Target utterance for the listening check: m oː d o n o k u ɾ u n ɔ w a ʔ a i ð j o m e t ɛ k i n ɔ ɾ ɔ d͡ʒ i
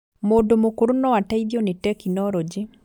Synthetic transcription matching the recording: m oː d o m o k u ɾ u n ɔ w a t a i ð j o n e t ɛ k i n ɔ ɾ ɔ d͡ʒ i